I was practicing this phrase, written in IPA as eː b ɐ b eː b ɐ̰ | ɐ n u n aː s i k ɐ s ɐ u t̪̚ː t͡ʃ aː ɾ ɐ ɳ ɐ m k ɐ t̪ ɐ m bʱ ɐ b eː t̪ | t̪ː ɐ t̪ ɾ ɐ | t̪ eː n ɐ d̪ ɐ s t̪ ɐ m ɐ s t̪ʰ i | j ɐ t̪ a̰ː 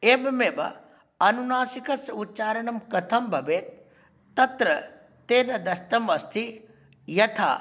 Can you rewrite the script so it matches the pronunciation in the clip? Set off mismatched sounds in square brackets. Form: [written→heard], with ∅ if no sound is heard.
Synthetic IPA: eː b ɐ [b→m] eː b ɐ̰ | ɐ n u n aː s i k ɐ s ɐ u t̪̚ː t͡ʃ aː ɾ ɐ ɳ ɐ m k ɐ [t̪→t̪ʰ] ɐ m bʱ ɐ b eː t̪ | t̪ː ɐ t̪ ɾ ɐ | t̪ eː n ɐ d̪ ɐ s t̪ ɐ m ɐ s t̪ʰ i | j ɐ [t̪→t̪ʰ] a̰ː